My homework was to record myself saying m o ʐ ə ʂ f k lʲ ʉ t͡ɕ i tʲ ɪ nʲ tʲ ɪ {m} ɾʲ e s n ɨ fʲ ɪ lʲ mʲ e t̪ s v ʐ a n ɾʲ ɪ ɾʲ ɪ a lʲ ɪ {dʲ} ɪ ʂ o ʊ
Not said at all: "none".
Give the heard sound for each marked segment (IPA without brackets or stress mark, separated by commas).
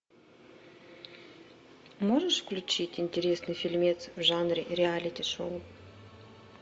none, tʲ